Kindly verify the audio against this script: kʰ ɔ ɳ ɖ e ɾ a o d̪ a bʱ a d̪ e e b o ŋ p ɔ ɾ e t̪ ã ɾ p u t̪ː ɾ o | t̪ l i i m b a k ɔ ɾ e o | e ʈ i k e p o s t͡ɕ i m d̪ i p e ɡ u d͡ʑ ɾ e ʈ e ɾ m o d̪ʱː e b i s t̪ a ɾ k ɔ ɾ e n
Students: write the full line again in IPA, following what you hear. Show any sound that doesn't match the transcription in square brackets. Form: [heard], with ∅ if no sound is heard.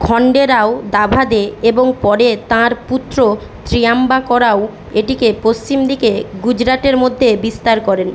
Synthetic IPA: kʰ ɔ ɳ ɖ e ɾ a o d̪ a bʱ a d̪ e e b o ŋ p ɔ ɾ e t̪ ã ɾ p u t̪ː ɾ o | t̪ [ɾ] i [a] m b a k ɔ ɾ [a] o | e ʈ i k e p o s t͡ɕ i m d̪ i [k] e ɡ u d͡ʑ ɾ [a] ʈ e ɾ m o d̪ʱː e b i s t̪ a ɾ k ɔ ɾ e n